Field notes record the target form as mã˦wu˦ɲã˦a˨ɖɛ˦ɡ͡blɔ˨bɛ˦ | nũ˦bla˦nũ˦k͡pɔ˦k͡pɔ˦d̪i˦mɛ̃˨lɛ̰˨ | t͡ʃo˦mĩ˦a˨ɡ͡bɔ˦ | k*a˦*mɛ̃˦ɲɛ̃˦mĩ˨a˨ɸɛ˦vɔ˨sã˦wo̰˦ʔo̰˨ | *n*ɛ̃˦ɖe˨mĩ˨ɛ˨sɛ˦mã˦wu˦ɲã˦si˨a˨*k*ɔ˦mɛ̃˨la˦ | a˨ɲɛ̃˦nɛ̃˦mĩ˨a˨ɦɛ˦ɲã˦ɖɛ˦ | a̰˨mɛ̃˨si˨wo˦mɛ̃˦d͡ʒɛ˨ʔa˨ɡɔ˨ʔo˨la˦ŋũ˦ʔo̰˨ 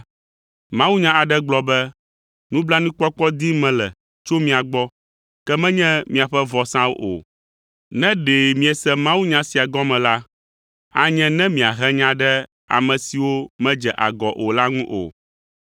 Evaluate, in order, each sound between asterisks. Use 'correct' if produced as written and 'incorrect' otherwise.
incorrect: ɛ˦, correct, incorrect: ɡ

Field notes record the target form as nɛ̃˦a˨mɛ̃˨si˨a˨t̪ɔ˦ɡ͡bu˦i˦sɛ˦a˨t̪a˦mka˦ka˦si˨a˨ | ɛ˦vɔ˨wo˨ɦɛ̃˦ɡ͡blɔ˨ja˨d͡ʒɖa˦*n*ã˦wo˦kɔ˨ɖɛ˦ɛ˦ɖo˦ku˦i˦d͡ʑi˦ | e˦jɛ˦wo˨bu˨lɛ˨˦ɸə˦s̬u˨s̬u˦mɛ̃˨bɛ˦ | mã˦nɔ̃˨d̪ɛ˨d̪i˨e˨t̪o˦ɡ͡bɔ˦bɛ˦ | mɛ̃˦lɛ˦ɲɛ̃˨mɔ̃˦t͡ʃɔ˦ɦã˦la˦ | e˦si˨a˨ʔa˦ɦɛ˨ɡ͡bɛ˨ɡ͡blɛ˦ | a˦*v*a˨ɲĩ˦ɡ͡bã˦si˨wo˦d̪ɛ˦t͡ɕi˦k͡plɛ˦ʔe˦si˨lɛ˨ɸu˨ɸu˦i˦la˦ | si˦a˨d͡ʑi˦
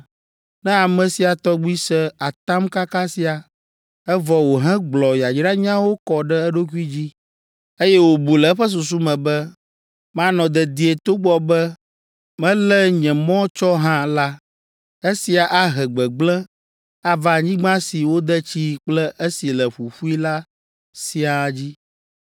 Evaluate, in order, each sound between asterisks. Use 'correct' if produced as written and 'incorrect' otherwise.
incorrect: ɲ, correct

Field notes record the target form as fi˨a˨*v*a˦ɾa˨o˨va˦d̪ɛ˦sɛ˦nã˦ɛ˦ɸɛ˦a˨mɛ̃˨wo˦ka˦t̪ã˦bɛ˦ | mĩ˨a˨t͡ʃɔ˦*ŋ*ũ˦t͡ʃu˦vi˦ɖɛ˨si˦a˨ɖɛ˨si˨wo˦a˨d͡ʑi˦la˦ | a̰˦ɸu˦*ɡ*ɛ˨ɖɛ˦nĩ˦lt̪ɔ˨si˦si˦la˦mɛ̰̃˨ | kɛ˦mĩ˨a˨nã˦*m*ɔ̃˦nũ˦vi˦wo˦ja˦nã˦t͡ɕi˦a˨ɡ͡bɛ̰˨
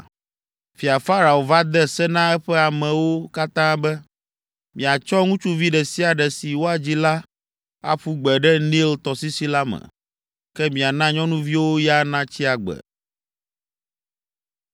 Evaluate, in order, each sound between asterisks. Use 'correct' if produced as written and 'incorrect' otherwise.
incorrect: f, correct, incorrect: ɡ͡b, incorrect: ɲ

